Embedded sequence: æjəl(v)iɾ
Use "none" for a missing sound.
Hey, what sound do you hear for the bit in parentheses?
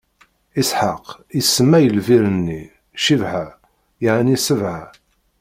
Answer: v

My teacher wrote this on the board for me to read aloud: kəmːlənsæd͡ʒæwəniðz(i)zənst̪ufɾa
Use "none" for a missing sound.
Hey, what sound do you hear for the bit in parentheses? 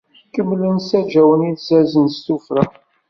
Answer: æ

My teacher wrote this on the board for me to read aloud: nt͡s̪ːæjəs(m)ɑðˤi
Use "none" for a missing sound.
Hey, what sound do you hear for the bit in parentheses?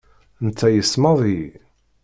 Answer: m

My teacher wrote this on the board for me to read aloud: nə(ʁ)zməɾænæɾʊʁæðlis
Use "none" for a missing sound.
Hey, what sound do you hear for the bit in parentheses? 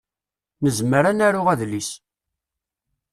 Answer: none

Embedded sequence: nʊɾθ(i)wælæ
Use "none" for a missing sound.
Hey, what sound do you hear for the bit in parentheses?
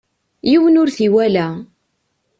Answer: i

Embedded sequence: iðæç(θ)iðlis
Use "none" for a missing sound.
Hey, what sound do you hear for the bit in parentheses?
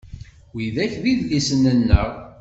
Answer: ð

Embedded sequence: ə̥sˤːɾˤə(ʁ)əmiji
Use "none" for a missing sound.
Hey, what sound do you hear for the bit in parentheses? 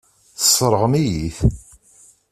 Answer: ʁ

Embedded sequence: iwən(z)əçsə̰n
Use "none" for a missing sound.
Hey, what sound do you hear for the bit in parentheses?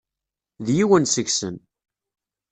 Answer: s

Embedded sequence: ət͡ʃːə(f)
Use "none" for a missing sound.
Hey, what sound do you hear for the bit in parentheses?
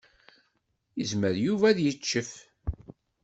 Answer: f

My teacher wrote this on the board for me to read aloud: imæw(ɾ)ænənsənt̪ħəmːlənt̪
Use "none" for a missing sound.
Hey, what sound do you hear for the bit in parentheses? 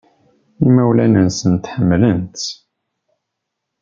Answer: l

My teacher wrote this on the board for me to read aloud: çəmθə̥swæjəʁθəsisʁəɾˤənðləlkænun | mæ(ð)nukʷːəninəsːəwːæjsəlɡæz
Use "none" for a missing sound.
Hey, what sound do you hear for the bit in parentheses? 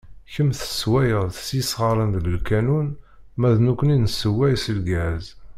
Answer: ð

